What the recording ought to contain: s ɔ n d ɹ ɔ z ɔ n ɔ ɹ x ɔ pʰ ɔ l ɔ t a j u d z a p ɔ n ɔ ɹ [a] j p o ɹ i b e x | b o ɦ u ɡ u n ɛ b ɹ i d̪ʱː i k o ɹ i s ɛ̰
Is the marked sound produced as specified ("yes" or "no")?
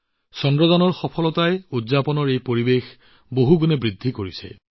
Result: no